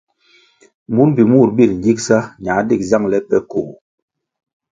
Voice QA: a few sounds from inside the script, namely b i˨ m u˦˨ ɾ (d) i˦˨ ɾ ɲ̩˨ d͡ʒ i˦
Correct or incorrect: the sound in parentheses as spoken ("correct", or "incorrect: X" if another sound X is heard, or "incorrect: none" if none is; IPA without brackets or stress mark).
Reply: incorrect: b